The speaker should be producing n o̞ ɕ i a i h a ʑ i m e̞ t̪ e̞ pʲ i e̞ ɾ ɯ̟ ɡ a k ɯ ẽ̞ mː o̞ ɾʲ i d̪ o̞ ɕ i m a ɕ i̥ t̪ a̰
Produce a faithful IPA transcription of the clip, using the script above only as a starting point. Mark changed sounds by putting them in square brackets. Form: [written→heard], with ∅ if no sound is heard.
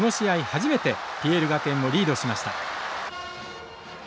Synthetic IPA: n o̞ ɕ i a i h a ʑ i m e̞ t̪ e̞ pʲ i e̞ ɾ ɯ̟ ɡ a k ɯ ẽ̞ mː o̞ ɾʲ [i→iː] d̪ o̞ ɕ i m a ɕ i̥ t̪ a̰

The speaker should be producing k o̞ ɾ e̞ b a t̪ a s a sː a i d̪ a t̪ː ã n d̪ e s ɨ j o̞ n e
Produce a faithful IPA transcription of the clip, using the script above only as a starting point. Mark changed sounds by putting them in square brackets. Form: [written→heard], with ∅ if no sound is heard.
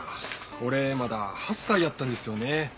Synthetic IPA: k o̞ ɾ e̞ [b→m] a [t̪→d̪] a [s→h] a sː a i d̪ a t̪ː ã n d̪ e s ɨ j o̞ n e

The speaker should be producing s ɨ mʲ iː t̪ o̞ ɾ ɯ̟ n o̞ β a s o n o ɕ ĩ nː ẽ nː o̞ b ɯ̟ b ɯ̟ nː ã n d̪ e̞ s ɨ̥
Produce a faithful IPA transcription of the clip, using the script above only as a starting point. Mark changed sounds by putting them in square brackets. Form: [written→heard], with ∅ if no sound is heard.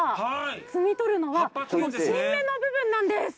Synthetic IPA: [s→t͡s] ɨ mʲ [iː→i] t̪ o̞ ɾ ɯ̟ n o̞ β a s o n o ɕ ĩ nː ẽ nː o̞ b ɯ̟ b [ɯ̟→ɯ̟̃] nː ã n d̪ e̞ s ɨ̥

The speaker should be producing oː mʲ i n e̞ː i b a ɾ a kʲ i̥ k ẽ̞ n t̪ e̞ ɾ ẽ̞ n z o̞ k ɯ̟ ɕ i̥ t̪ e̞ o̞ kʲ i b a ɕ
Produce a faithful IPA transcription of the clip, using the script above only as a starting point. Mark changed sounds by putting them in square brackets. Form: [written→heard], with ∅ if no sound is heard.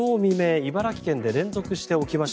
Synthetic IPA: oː mʲ i [n→m] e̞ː i b a ɾ a kʲ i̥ k ẽ̞ n [t̪→d̪] e̞ ɾ ẽ̞ n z o̞ k ɯ̟ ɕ i̥ t̪ e̞ o̞ kʲ i [b→m] a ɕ

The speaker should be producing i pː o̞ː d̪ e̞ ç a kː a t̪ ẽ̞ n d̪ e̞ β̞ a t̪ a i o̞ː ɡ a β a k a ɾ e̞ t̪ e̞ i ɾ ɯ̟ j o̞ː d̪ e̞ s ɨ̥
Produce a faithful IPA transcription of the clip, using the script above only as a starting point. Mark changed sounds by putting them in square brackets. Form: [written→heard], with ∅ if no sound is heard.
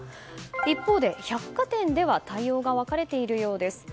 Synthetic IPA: i pː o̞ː d̪ e̞ ç a kː a t̪ ẽ̞ n d̪ e̞ β̞ a t̪ a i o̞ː ɡ a β a k a ɾ e̞ t̪ e̞ i ɾ ɯ̟ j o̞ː d̪ e̞ s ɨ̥

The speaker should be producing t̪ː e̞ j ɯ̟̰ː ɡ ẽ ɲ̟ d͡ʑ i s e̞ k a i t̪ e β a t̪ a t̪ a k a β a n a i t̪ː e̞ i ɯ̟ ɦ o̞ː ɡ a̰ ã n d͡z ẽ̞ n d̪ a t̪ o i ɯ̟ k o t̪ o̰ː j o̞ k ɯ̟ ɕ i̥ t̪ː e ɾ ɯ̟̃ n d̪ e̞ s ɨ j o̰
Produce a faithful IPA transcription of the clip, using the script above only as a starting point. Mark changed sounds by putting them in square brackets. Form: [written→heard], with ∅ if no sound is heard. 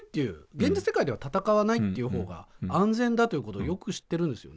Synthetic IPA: t̪ː e̞ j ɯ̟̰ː ɡ ẽ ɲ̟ d͡ʑ i s e̞ k a i [t̪→d̪] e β a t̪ a t̪ a k a β a n a i t̪ː e̞ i ɯ̟ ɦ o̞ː ɡ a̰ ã n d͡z ẽ̞ n d̪ a t̪ o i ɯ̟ k o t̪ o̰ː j o̞ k ɯ̟ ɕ i̥ t̪ː e ɾ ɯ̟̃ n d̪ e̞ s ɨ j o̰

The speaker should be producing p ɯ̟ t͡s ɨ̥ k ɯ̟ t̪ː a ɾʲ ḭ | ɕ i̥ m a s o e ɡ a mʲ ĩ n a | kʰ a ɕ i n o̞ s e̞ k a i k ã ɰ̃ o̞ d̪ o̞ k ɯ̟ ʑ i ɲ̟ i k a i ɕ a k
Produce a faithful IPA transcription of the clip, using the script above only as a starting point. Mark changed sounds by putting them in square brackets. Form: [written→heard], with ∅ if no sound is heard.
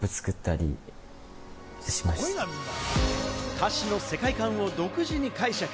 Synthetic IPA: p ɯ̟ t͡s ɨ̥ k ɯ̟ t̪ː a ɾʲ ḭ | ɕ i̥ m a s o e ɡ a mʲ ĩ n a | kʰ a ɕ i n o̞ s e̞ k a i k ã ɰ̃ o̞ d̪ o̞ k ɯ̟ ʑ i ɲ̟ i k a i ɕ a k

